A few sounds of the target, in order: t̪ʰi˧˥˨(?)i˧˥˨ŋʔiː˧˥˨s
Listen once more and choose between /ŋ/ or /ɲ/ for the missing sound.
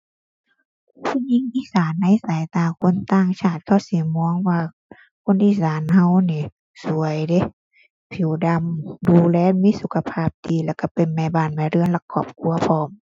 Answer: ɲ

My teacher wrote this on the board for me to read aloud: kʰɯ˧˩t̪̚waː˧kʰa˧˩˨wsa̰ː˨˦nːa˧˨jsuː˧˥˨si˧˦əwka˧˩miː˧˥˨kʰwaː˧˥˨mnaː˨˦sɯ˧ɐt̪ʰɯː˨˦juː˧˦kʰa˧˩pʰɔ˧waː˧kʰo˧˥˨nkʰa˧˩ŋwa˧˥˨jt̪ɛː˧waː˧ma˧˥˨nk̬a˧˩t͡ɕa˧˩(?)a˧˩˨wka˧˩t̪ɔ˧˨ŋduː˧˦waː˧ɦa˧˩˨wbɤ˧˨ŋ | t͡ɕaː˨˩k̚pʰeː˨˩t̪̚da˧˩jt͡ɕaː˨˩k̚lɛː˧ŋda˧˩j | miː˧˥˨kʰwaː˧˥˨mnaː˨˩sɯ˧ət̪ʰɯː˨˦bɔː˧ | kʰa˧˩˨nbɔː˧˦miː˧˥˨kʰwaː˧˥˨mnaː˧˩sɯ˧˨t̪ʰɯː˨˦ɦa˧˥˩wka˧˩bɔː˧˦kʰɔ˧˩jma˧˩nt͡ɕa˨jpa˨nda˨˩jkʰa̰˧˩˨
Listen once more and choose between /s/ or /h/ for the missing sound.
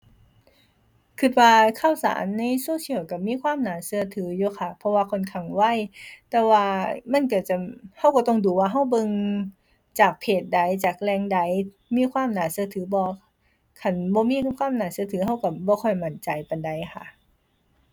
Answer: h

